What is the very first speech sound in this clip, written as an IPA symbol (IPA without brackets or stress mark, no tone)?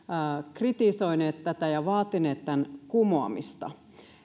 k